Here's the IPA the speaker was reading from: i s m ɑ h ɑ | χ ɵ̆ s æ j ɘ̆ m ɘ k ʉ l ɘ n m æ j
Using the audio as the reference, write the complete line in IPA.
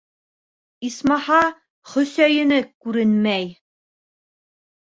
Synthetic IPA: i s m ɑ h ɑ | χ ɵ̆ s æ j ɘ̆ n ɘ k ʉ ɾ ɘ n m æ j